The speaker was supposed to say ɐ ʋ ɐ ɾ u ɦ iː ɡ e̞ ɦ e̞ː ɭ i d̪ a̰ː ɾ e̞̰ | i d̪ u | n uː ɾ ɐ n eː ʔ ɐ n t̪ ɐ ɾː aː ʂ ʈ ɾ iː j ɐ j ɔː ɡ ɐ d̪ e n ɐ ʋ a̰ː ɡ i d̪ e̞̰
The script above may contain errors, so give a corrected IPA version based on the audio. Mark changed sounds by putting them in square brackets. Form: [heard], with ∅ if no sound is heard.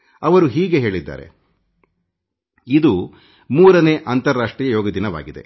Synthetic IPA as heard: ɐ ʋ ɐ ɾ u ɦ iː ɡ e̞ ɦ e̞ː ɭ i [d̪ː] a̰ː ɾ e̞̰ | i d̪ u | [m] uː ɾ ɐ n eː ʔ ɐ n t̪ ɐ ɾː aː ʂ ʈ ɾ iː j ɐ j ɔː ɡ ɐ d̪ [i] n ɐ ʋ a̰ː ɡ i d̪ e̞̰